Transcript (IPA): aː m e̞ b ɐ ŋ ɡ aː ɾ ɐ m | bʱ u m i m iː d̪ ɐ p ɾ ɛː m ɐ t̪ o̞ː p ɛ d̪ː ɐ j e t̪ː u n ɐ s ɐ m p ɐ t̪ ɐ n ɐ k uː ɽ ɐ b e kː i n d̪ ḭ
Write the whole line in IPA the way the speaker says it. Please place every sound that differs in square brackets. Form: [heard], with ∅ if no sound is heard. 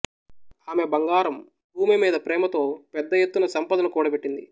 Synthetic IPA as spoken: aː m e̞ b ɐ ŋ ɡ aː ɾ ɐ m | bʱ [uː] m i m iː d̪ ɐ p ɾ ɛː m ɐ t̪ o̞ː p ɛ d̪ː ɐ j e t̪ː u n ɐ s ɐ m p ɐ [d̪] ɐ n ɐ k uː ɽ ɐ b e [ʈː] i n d̪ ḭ